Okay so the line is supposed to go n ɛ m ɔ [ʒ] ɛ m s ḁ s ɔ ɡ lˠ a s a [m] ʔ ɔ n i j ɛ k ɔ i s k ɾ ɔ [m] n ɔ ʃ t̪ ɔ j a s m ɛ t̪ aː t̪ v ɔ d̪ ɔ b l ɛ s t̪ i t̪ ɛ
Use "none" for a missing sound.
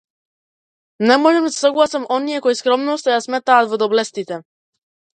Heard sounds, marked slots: ʒ, m, m

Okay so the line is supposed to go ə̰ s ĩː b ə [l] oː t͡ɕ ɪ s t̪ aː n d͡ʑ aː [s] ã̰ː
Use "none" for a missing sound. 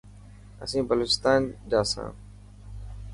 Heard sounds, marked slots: l, s

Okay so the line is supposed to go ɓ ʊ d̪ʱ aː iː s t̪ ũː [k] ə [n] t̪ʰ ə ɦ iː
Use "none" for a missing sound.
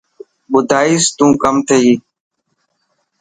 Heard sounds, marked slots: k, m

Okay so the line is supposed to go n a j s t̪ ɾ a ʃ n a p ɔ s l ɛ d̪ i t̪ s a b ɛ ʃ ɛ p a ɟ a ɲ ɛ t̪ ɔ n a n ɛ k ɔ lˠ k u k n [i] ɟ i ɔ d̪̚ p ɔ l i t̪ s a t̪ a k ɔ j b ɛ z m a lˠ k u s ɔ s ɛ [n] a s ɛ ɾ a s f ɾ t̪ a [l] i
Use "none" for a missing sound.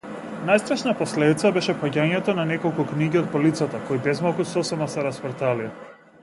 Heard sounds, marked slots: i, m, l

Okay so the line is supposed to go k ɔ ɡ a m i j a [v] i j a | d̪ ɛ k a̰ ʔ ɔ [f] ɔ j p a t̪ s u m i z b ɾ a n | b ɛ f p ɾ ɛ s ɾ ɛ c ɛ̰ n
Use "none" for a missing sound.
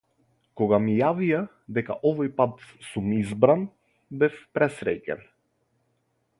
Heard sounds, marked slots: v, v

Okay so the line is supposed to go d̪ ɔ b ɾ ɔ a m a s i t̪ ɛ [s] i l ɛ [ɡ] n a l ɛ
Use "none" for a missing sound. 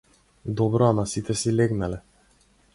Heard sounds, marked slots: s, ɡ

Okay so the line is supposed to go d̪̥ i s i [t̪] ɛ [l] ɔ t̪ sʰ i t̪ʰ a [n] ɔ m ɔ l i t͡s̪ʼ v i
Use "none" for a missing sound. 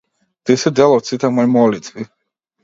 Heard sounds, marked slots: d̪, l, m

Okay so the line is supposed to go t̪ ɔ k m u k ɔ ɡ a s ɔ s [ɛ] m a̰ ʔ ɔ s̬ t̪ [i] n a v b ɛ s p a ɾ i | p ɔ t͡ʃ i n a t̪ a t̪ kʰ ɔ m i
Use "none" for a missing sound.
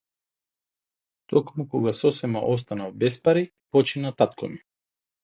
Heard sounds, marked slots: ɛ, a

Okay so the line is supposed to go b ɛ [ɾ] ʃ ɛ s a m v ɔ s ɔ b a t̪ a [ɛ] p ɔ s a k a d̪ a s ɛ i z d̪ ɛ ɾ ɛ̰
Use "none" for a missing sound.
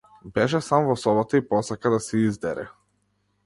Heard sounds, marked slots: none, i

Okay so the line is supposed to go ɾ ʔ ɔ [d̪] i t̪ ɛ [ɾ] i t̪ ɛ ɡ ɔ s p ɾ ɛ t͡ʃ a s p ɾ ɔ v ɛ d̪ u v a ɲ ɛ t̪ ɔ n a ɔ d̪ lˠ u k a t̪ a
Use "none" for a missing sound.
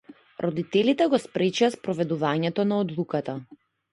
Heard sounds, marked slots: d̪, l

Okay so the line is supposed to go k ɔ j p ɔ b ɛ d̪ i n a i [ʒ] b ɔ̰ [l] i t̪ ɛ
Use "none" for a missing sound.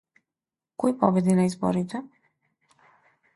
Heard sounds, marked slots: z, ɾ

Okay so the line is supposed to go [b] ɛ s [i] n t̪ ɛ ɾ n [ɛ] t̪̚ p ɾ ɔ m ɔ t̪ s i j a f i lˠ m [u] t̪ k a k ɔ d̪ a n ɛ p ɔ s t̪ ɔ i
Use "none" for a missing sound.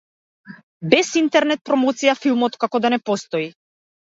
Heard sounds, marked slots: b, i, ɛ, ɔ

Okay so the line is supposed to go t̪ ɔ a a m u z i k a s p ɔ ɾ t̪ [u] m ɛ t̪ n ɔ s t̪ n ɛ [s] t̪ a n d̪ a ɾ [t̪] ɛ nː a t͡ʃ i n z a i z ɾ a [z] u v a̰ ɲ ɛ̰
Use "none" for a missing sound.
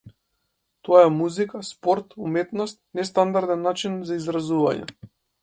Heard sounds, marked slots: u, s, d̪, z

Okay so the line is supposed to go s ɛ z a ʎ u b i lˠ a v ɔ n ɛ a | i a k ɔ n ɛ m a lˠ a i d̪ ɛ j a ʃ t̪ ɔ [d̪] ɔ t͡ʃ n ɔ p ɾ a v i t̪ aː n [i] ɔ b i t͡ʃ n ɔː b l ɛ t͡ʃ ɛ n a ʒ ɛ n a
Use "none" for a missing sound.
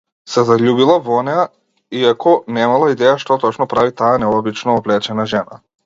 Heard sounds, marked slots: t̪, ɛ

